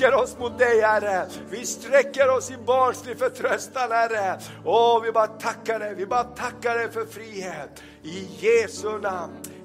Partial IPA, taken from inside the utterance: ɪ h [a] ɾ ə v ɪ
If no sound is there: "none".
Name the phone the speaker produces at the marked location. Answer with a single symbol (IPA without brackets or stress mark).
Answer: æ